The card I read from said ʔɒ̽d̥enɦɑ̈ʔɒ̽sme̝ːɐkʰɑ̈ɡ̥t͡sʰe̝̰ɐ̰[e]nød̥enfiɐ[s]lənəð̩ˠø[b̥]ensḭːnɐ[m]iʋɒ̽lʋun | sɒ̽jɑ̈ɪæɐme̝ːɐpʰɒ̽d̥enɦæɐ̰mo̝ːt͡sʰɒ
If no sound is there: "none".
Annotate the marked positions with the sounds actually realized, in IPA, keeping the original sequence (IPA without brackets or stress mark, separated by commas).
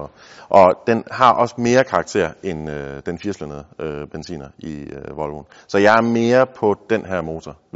e, s, b̥, none